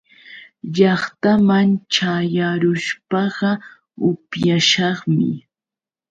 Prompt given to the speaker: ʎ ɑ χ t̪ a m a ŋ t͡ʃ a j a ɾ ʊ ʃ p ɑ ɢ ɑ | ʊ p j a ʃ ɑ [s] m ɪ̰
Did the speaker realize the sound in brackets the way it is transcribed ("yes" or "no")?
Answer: no